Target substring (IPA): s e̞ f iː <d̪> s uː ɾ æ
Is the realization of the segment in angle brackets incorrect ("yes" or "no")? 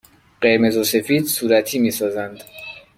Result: no